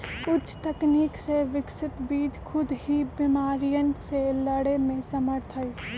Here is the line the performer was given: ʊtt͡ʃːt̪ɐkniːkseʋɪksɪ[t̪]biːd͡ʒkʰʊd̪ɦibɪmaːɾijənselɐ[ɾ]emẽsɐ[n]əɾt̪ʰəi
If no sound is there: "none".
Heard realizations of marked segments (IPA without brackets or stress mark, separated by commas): t̪, ɽ, m